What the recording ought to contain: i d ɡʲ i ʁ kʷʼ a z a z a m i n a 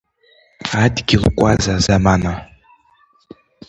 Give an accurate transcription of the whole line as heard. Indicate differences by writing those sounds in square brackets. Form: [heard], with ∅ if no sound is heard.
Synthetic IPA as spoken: [a] d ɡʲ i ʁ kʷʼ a z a z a m [a] n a